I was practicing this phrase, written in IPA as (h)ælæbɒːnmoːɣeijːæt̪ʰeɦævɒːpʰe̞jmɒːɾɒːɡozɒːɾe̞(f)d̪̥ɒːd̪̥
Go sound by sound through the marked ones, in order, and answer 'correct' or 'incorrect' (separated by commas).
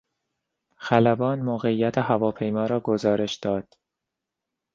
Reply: incorrect, incorrect